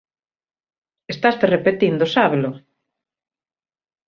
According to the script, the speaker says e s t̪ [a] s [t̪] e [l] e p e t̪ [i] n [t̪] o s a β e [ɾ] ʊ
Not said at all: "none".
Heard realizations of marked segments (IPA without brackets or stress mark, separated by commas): a, t̪, r, i, d̪, l